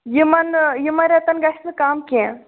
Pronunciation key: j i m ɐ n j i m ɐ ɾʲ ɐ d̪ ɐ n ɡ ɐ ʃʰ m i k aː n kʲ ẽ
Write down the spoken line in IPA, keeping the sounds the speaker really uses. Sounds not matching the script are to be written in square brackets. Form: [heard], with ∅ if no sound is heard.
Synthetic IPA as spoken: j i m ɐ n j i m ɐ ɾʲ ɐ [t̪] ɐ n ɡ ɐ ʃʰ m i k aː [m] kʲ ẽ

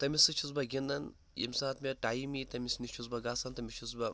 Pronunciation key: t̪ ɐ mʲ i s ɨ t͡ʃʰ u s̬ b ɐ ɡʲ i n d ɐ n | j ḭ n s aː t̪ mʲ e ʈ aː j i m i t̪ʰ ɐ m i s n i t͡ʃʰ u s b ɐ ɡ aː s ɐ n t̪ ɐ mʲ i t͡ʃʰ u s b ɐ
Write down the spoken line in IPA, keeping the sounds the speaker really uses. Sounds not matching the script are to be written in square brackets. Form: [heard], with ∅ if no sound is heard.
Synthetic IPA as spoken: t̪ ɐ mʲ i s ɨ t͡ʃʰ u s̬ b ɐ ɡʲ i n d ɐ n | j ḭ [m] s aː t̪ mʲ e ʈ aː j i m i [t̪] ɐ m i s n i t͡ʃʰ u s b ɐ ɡ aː s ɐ n t̪ ɐ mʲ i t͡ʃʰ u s b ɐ

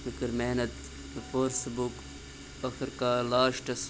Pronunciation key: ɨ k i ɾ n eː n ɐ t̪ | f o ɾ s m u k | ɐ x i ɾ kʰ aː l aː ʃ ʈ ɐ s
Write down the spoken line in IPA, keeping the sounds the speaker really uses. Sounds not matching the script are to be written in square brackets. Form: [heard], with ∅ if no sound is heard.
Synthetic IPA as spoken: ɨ k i ɾ [m] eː n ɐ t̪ | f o ɾ s [b] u k | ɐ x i ɾ [k] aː l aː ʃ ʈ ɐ s

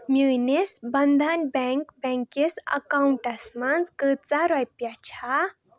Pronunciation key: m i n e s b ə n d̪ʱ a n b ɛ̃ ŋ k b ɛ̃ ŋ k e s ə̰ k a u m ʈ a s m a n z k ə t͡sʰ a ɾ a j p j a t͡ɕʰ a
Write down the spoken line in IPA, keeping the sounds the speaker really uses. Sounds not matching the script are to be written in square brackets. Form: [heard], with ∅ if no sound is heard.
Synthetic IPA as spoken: m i n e s b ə n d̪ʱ a n b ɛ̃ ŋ k b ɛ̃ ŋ k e s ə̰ k a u [ɳ] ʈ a s m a n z k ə [t͡s] a ɾ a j p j a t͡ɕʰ a

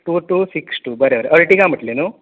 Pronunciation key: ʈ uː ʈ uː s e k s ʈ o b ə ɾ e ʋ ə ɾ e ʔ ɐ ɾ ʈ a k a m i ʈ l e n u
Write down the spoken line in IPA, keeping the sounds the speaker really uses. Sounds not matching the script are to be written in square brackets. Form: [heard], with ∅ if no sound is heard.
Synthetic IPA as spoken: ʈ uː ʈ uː s [i] k s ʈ [u] b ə ɾ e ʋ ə ɾ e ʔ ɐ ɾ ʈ [i] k a m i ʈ l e n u

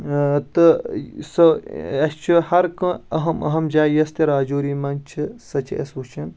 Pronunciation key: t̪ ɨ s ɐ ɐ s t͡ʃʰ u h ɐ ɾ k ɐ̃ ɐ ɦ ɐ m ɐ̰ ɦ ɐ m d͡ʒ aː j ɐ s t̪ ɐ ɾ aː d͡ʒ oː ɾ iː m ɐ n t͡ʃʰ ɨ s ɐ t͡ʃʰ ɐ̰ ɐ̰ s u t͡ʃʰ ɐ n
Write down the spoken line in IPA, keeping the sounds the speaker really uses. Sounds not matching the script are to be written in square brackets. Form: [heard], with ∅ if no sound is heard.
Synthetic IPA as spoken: t̪ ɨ s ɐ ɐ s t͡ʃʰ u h ɐ ɾ k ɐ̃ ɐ ɦ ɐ m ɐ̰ ɦ ɐ m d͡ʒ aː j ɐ s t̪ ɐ ɾ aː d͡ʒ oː ɾ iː m ɐ n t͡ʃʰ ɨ s ɐ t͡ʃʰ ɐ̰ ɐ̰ s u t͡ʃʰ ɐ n

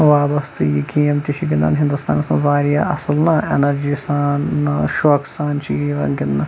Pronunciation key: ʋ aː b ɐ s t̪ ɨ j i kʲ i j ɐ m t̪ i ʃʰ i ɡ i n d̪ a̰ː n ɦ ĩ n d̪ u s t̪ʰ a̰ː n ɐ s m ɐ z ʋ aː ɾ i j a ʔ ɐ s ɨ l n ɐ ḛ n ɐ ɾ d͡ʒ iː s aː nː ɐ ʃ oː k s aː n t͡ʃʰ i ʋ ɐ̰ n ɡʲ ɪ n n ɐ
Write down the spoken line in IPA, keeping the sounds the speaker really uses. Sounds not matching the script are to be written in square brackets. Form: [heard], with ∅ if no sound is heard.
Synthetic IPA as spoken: ʋ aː b ɐ s t̪ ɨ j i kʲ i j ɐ m t̪ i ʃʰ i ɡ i n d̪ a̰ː n ɦ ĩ n d̪ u s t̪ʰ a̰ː n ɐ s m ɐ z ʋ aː ɾ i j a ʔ ɐ s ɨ l n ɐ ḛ n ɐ ɾ d͡ʒ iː s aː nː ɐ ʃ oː k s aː n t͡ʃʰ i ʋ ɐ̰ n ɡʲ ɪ n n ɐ

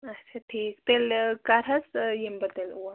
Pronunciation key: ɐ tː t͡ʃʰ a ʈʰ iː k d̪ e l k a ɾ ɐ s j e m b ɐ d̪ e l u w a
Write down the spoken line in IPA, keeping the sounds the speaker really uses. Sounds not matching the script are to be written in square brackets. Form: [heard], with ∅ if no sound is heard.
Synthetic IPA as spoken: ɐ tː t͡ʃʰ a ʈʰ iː k [t̪] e l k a ɾ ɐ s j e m b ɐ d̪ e l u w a

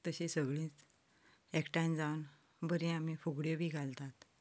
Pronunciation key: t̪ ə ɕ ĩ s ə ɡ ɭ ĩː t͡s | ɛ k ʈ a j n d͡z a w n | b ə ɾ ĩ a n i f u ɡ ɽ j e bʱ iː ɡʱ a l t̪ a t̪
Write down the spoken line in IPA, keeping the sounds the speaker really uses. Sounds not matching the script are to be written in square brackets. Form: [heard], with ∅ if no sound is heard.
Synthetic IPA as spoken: t̪ ə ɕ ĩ s ə ɡ ɭ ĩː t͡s | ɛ k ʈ a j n d͡z a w n | b ə ɾ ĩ a [m] i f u ɡ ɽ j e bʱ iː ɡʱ a l t̪ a t̪

